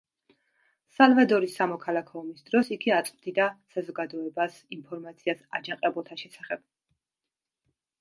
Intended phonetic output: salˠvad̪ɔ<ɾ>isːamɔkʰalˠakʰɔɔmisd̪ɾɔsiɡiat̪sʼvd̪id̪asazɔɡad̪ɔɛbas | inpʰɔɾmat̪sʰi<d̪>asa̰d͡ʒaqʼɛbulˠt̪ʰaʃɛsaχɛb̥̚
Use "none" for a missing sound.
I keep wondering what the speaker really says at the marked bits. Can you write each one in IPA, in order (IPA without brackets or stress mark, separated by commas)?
ɾ, none